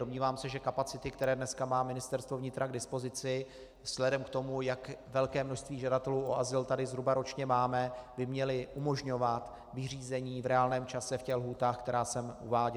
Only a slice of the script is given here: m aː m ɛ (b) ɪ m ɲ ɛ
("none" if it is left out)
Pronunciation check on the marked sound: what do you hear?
b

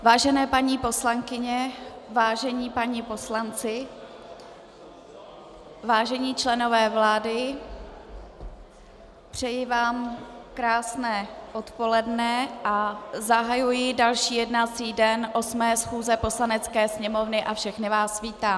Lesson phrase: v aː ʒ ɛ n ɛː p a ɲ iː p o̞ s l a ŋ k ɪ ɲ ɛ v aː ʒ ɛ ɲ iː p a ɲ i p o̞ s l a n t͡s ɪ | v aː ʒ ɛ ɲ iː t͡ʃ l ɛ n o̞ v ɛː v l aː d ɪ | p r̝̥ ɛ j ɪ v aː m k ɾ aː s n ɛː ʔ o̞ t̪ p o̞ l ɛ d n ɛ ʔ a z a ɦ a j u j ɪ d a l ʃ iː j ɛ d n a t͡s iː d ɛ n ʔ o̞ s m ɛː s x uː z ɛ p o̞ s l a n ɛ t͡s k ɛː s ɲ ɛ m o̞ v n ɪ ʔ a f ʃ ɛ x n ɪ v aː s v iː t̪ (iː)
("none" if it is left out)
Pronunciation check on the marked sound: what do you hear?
aː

